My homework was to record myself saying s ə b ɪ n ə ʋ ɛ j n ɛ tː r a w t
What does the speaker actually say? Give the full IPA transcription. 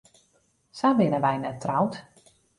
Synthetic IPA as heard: s a b ɪ n ə ʋ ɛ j n ɛ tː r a w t